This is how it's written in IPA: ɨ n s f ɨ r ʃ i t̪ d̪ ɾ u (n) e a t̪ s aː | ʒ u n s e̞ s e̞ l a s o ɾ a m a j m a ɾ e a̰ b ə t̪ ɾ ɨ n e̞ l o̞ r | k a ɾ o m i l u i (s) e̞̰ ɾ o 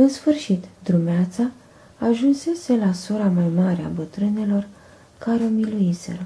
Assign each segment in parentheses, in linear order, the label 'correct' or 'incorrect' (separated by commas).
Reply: incorrect, correct